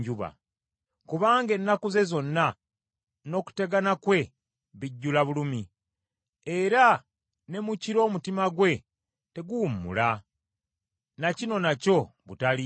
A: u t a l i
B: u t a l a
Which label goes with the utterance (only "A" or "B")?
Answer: A